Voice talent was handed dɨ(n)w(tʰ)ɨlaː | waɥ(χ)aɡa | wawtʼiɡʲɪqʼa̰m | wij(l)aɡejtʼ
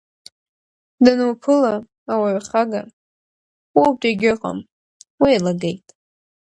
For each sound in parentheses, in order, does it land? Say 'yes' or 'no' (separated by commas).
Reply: yes, no, yes, yes